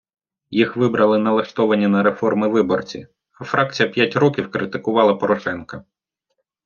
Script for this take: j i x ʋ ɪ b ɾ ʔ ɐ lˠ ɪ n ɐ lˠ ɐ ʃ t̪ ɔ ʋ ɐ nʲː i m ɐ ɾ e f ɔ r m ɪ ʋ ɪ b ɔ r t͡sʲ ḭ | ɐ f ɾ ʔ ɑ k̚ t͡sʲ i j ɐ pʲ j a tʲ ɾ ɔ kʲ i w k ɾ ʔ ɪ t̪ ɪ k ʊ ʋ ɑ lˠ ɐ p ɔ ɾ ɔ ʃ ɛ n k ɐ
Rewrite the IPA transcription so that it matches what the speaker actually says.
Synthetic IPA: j i x ʋ ɪ b ɾ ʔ ɐ lˠ ɪ n ɐ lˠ ɐ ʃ t̪ ɔ ʋ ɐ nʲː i n ɐ ɾ e f ɔ r m ɪ ʋ ɪ b ɔ r t͡sʲ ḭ | ɐ f ɾ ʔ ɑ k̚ t͡sʲ i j ɐ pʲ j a tʲ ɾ ɔ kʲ i w k ɾ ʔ ɪ t̪ ɪ k ʊ ʋ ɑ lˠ ɐ p ɔ ɾ ɔ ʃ ɛ n k ɐ